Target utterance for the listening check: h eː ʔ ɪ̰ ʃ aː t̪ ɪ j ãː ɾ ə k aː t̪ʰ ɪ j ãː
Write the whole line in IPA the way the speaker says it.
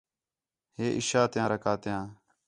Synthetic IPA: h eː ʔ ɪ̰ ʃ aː t̪ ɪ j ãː ɾ ə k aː t̪ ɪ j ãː